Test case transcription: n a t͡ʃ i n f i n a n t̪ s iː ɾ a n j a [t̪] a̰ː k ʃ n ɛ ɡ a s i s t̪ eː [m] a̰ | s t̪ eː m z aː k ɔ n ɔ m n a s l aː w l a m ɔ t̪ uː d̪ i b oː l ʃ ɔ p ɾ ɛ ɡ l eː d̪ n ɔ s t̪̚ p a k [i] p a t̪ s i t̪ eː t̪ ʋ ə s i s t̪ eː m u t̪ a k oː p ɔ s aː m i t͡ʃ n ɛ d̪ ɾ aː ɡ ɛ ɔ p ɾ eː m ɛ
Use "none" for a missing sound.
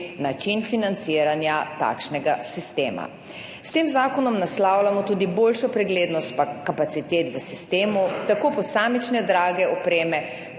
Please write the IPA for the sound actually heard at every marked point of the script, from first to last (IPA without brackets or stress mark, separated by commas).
t̪, m, a